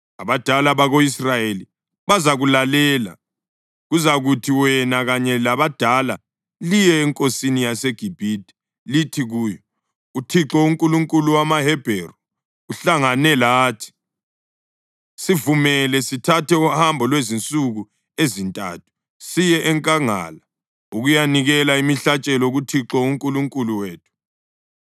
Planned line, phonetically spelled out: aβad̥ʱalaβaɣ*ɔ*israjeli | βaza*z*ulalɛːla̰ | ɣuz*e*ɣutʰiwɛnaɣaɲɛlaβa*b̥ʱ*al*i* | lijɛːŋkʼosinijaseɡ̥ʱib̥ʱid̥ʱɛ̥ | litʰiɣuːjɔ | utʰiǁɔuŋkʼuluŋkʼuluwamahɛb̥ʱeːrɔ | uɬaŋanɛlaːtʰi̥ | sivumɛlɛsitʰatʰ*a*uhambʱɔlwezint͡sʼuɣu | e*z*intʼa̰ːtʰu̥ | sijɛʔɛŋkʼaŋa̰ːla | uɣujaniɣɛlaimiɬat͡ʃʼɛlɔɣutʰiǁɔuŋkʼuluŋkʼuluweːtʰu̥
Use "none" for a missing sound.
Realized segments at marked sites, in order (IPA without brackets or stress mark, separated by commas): o, ɣ, a, d̥ʱ, a, ɛ, z